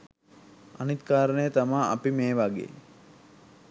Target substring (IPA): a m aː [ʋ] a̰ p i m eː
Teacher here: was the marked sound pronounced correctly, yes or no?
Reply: no